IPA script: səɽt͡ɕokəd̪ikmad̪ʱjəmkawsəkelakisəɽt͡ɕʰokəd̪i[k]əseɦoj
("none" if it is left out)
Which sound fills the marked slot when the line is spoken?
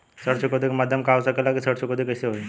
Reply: k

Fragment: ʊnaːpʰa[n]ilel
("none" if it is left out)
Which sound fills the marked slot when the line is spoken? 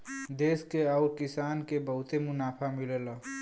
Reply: m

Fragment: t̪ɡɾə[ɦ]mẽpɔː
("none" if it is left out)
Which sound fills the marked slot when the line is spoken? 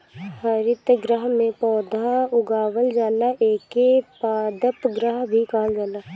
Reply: ɦ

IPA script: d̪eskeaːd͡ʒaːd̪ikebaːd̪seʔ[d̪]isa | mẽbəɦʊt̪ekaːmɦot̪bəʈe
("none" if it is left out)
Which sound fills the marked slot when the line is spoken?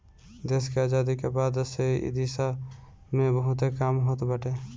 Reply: d̪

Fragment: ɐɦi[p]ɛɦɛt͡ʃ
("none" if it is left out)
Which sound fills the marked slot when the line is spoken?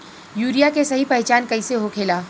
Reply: p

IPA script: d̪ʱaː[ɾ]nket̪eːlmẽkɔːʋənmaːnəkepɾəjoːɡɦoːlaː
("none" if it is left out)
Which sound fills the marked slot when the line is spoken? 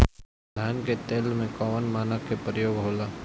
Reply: none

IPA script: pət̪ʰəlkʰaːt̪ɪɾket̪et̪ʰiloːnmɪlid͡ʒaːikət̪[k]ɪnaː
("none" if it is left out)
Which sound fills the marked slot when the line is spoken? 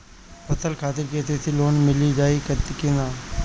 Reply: k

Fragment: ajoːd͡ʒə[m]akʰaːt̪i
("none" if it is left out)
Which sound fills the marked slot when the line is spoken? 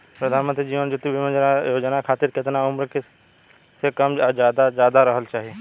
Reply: n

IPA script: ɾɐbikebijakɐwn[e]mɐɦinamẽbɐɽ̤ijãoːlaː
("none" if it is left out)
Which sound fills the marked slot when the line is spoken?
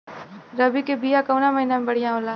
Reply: a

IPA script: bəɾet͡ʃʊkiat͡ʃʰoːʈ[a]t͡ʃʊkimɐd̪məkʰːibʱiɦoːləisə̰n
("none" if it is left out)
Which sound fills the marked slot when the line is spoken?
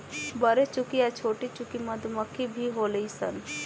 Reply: i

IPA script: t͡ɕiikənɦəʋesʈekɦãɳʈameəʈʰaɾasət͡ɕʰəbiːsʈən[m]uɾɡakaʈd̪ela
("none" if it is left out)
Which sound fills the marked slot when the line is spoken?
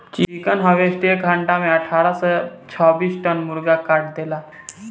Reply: m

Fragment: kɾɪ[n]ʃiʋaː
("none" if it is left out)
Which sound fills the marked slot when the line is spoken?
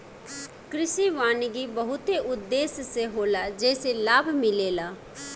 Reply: none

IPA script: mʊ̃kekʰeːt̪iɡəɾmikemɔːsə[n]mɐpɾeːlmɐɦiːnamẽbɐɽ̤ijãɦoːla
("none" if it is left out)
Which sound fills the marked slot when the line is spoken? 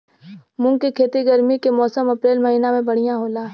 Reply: none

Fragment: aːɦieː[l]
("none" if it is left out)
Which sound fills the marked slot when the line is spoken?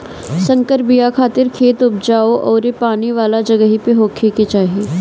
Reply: none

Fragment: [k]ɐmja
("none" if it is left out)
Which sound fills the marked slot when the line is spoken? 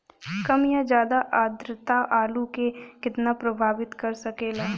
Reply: k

